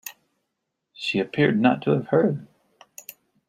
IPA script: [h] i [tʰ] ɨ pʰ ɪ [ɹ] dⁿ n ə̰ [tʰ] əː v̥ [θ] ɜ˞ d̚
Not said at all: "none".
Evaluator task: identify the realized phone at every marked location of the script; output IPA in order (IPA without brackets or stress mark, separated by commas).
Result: ʃ, none, ɹ, tʰ, h